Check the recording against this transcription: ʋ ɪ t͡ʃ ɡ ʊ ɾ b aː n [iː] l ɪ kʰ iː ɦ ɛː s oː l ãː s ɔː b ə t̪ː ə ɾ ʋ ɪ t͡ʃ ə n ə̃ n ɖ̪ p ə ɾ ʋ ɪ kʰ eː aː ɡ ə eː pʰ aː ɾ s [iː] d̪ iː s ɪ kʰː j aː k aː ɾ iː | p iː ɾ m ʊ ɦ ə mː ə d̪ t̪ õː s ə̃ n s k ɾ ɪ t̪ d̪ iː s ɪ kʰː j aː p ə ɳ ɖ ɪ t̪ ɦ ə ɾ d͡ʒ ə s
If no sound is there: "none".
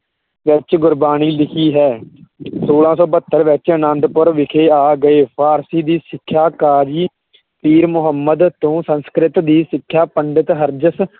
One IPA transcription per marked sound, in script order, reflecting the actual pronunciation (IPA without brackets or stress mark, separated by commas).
iː, iː